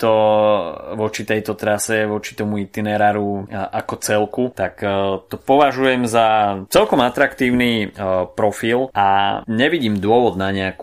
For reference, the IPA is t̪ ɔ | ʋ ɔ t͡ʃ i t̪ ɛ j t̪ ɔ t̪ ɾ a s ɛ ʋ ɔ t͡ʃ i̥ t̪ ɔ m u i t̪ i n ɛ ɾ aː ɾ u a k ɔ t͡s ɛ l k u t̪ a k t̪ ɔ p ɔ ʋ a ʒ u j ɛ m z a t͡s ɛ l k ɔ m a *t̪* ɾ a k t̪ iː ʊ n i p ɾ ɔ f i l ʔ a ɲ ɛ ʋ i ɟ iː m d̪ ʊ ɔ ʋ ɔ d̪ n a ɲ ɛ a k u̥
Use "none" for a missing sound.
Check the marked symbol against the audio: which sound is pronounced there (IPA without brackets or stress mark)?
t̪